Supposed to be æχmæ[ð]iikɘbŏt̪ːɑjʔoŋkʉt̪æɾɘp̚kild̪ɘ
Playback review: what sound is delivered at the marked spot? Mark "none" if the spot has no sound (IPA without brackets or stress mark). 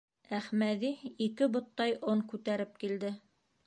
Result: ð